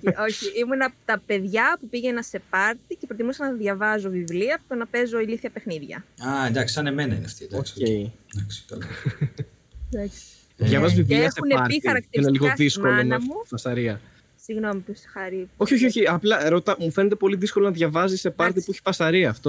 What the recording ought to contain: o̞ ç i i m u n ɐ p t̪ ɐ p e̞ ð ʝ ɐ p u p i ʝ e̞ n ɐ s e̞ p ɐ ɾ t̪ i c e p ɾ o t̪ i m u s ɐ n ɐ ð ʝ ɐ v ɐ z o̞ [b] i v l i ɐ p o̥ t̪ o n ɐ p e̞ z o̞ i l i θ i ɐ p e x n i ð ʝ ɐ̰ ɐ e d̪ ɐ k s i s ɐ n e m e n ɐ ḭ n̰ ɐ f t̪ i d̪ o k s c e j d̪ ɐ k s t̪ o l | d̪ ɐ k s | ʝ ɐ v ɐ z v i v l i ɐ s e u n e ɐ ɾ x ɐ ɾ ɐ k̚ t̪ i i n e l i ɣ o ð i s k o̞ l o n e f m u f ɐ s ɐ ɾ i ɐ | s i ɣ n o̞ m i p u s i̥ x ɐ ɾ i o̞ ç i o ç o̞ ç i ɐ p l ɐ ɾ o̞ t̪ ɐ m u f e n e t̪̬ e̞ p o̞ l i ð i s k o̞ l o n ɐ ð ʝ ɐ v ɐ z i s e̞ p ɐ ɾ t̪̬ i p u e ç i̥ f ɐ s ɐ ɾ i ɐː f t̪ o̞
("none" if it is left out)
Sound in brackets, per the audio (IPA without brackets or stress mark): v